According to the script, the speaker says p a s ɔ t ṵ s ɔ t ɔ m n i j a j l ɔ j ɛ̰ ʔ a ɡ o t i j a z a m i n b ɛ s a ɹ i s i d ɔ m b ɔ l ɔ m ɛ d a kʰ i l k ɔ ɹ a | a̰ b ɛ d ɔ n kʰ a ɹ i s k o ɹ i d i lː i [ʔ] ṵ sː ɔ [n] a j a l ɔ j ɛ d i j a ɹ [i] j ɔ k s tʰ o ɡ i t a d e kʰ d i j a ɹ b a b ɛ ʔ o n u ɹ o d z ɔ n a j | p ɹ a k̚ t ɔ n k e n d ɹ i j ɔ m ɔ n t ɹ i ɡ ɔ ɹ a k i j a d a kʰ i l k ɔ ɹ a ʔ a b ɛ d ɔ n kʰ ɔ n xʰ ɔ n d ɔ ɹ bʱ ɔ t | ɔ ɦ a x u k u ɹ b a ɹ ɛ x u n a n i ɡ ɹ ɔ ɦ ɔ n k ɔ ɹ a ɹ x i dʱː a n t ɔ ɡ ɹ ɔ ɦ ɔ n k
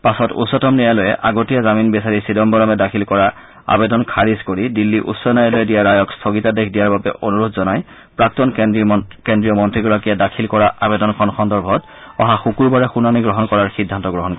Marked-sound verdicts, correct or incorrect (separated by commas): correct, correct, incorrect